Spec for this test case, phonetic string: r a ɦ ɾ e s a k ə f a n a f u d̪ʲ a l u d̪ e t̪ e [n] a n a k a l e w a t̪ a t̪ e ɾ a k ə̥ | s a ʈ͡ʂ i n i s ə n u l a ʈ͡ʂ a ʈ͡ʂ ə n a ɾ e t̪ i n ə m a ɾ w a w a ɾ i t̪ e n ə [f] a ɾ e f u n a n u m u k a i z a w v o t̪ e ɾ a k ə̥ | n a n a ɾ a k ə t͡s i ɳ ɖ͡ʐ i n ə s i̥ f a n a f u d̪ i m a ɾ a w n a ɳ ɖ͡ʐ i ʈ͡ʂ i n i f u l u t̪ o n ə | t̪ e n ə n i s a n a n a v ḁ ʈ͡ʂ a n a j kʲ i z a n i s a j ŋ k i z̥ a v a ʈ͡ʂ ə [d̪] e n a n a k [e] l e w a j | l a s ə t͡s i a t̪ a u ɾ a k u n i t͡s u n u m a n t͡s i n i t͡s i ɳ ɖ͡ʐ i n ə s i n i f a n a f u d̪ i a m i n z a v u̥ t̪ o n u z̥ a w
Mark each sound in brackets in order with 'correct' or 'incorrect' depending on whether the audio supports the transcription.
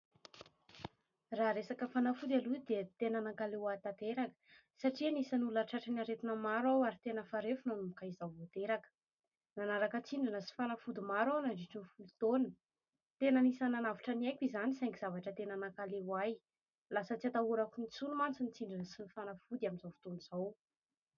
correct, correct, incorrect: t̪, incorrect: a

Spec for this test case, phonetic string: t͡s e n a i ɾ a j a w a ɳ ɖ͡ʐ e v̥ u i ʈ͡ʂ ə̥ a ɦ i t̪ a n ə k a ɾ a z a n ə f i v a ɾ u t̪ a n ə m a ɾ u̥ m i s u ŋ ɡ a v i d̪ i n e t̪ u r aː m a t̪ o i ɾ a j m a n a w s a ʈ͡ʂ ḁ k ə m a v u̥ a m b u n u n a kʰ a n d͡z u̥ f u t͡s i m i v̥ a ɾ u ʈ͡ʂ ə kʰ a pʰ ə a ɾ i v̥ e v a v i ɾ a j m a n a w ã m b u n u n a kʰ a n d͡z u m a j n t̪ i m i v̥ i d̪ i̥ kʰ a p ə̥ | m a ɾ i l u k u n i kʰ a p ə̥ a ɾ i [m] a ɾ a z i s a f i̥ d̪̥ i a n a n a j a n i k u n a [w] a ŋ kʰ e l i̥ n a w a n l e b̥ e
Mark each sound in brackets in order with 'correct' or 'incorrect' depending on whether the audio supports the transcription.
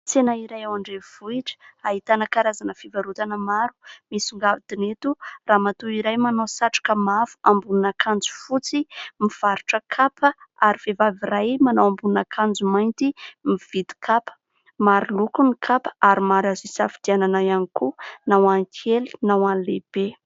correct, correct

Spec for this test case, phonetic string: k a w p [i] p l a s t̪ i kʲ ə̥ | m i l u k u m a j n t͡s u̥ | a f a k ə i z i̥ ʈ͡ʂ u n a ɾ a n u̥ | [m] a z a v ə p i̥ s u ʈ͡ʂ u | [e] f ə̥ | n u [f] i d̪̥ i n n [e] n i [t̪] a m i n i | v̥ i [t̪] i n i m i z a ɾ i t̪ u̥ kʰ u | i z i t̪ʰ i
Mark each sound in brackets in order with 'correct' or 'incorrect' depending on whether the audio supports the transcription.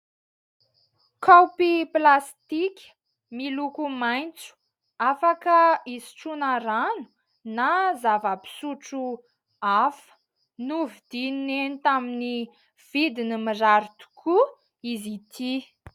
correct, incorrect: n, incorrect: a, incorrect: v, correct, correct, incorrect: d̪

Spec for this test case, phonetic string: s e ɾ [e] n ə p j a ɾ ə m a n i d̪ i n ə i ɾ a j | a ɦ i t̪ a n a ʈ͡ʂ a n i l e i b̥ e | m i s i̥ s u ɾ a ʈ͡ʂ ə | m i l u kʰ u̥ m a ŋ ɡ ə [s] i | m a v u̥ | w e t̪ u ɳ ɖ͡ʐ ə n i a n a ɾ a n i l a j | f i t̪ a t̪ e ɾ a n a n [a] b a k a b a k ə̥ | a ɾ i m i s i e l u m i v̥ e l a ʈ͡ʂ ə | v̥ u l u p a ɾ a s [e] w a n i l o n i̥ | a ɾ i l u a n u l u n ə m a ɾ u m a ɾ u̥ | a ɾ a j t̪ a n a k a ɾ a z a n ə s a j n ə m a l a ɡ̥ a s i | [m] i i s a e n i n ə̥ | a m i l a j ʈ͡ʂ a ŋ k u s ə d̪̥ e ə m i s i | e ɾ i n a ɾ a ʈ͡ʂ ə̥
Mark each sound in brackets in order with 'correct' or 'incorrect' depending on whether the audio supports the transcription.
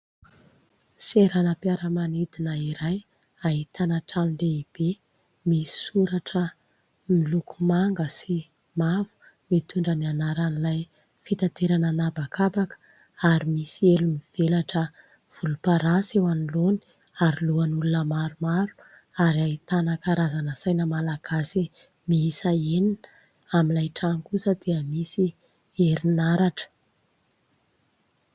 incorrect: a, correct, correct, correct, correct

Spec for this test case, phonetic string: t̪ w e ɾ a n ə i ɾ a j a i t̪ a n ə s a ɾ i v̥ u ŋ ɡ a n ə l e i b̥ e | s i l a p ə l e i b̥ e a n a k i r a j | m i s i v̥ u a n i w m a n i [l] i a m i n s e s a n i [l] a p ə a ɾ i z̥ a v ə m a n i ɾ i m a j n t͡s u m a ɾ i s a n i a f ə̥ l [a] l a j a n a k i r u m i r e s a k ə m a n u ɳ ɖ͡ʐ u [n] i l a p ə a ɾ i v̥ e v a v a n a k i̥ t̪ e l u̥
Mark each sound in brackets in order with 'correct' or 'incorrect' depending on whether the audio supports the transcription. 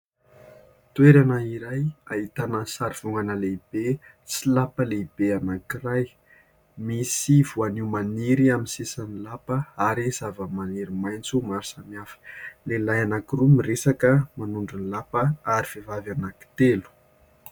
incorrect: ɾ, correct, incorrect: e, correct

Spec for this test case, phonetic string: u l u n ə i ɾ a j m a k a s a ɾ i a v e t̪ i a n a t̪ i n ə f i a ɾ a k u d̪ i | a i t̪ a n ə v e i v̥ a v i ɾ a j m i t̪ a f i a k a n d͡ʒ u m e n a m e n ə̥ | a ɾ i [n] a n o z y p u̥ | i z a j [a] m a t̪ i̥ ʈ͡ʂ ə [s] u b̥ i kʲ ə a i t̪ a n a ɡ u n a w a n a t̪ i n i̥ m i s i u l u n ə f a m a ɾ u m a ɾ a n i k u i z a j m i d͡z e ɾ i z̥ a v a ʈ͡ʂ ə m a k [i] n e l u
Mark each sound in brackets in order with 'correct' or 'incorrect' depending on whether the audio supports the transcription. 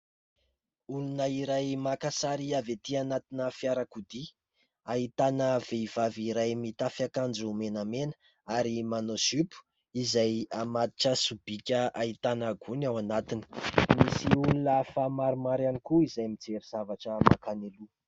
incorrect: m, correct, correct, incorrect: a

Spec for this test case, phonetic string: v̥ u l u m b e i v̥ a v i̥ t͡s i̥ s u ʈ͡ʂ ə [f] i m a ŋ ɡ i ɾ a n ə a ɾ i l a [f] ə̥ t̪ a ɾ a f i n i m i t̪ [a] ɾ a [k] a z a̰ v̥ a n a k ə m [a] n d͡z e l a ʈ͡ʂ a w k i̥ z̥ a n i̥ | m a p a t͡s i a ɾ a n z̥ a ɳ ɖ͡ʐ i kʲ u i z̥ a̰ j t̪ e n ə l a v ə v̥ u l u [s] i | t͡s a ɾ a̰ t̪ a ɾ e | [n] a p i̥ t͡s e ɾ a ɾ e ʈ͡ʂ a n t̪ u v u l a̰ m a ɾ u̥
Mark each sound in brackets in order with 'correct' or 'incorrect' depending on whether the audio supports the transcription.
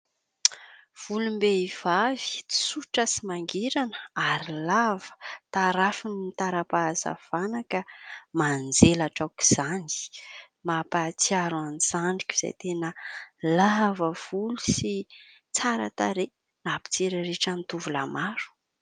incorrect: s, incorrect: v, correct, incorrect: p, correct, correct, correct

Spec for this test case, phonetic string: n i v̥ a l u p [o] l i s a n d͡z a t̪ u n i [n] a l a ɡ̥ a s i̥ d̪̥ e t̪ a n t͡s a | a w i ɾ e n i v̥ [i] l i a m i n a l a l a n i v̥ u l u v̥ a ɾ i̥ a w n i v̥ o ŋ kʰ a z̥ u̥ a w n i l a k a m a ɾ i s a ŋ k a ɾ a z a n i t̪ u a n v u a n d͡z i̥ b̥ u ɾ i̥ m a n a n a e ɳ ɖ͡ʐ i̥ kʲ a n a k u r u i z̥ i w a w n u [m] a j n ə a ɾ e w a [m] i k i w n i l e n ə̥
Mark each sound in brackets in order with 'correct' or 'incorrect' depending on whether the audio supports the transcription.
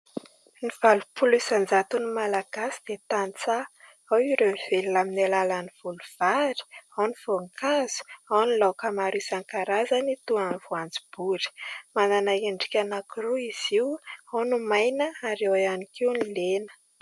incorrect: u, incorrect: m, incorrect: e, correct, incorrect: n

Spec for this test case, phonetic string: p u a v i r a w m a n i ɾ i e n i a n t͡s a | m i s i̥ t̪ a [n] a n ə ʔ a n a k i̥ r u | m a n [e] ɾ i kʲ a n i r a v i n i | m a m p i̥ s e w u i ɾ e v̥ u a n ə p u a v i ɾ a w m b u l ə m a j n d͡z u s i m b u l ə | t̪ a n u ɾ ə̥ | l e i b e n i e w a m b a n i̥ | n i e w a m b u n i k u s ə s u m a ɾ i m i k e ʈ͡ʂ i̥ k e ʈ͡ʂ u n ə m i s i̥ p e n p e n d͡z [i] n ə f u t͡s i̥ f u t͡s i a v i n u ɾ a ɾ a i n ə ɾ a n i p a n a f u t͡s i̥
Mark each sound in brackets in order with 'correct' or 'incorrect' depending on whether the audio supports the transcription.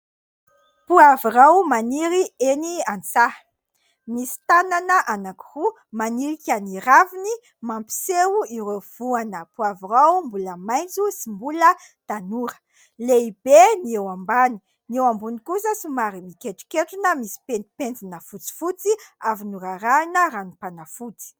correct, incorrect: i, correct

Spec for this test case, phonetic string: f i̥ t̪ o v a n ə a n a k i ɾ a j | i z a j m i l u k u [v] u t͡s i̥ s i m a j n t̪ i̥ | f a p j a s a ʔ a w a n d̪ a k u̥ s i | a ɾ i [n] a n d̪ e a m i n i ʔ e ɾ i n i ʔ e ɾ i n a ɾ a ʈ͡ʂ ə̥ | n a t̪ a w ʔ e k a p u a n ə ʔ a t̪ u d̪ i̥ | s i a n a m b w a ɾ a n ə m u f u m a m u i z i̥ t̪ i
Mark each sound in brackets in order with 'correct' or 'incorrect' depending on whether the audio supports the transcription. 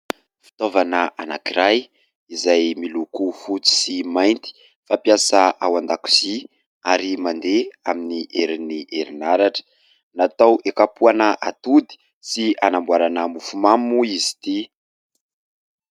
incorrect: f, incorrect: m

